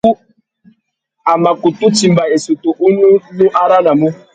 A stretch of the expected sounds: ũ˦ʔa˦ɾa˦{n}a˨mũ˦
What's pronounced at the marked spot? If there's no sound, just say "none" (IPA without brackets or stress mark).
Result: n